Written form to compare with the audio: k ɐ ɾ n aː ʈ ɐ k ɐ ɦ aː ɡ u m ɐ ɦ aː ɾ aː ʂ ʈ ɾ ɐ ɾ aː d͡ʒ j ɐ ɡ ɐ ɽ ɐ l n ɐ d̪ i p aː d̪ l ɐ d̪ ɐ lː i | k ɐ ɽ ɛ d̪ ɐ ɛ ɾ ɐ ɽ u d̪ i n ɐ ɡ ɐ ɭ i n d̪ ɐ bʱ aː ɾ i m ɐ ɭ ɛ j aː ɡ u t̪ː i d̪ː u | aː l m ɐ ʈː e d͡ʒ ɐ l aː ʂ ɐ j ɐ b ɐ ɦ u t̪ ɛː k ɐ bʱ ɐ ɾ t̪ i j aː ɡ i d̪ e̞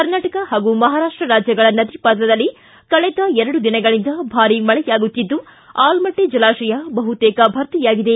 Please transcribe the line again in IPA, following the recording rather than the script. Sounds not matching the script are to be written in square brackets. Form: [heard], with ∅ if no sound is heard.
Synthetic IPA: k ɐ ɾ n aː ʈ ɐ k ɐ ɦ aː ɡ u m ɐ ɦ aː ɾ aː ʂ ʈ ɾ ɐ ɾ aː d͡ʒ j ɐ ɡ ɐ [ɭ] ɐ [∅] n ɐ d̪ i p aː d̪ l ɐ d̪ ɐ lː i | k ɐ [ɭ] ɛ d̪ ɐ ɛ ɾ ɐ ɽ u d̪ i n ɐ ɡ ɐ ɭ i n d̪ ɐ bʱ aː ɾ i m ɐ ɭ ɛ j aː ɡ u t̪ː i d̪ː u | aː l m ɐ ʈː e d͡ʒ ɐ l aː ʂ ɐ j ɐ b ɐ ɦ u t̪ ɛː k ɐ bʱ ɐ ɾ t̪ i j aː ɡ i d̪ e̞